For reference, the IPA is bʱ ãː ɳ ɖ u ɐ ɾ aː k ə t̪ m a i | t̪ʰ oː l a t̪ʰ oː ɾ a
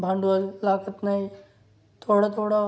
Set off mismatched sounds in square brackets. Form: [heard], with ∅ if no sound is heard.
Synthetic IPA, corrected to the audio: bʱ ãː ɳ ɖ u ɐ [l] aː k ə t̪ [n] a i | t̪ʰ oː [ɽ] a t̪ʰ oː [ɽ] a